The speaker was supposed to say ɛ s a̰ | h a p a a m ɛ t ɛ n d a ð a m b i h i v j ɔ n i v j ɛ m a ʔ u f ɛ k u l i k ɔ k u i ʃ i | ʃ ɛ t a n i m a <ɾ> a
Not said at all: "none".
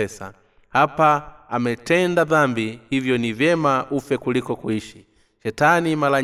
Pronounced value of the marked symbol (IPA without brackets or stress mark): l